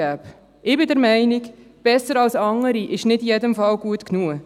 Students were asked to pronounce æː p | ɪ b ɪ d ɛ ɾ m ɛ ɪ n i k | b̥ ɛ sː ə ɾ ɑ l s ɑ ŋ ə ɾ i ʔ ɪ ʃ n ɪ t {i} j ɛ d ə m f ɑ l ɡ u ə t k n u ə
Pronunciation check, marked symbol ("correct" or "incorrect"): correct